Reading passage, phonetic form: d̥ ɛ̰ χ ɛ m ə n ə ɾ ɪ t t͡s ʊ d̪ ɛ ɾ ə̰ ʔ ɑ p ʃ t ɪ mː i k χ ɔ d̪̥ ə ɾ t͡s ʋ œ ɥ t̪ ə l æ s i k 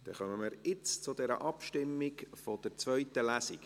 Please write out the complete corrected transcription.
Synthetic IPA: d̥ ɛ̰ χ œ m ə m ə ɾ ɪ t͡s t͡s ʊ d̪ ɛ ɾ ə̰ ʔ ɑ p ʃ t ɪ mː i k f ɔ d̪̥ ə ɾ t͡s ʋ œ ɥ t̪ ə l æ s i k